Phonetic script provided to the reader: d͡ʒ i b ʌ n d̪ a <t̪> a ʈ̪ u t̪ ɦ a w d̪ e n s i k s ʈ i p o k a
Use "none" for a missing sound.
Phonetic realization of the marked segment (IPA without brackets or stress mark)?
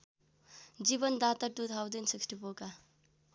t̪